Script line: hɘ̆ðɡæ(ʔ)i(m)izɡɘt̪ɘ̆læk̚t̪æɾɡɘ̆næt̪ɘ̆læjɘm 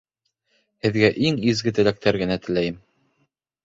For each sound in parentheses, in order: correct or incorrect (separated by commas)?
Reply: correct, incorrect